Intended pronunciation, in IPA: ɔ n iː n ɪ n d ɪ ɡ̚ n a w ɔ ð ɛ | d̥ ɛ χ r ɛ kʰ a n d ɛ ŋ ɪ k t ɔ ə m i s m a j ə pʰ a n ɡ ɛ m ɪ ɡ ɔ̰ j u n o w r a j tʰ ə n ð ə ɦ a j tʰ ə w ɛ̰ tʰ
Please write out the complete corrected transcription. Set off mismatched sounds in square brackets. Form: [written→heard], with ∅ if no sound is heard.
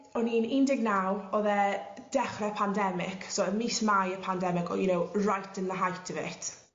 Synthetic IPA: ɔ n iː n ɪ n d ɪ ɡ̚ n a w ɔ ð ɛ | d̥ ɛ χ r ɛ [kʰ→pʰ] a n d ɛ [ŋ→m] ɪ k [t→s] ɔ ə m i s m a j ə pʰ a n [ɡ→d] ɛ m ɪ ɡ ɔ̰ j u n o w r a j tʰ ə n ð ə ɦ a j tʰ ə [w→v] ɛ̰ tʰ